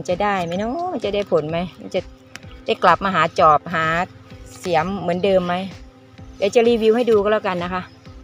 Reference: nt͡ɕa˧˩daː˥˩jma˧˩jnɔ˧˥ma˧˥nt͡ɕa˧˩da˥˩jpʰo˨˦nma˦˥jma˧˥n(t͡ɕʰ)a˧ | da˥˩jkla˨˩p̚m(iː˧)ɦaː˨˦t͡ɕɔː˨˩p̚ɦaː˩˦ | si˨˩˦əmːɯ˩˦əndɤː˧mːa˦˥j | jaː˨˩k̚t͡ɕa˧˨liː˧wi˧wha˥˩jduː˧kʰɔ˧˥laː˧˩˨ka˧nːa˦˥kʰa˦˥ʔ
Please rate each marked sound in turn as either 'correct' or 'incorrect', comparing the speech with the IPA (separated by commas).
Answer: incorrect, incorrect